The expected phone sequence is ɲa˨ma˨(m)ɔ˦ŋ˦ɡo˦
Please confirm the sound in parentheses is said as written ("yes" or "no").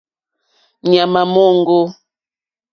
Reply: yes